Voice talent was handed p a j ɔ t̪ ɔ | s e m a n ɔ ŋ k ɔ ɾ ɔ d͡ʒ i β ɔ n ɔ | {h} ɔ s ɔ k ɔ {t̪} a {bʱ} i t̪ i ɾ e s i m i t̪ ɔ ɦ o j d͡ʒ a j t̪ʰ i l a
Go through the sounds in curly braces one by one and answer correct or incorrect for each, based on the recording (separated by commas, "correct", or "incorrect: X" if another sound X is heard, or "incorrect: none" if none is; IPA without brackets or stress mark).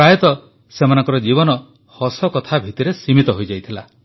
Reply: correct, incorrect: t̪ʰ, correct